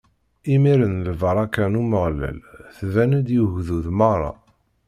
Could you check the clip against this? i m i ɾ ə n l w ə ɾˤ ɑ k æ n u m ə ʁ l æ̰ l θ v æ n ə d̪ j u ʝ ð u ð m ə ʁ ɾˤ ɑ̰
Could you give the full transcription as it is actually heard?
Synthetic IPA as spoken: i m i ɾ ə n l v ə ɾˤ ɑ k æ n u m ə ʁ l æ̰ l θ v æ n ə d̪ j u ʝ ð u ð m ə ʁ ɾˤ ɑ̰